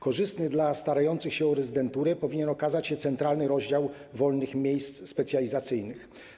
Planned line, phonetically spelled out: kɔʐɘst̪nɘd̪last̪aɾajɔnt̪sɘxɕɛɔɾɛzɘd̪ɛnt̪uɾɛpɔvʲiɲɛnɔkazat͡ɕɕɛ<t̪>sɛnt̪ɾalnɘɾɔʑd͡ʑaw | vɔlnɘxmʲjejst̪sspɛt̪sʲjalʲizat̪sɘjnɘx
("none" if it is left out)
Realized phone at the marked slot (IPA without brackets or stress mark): t̪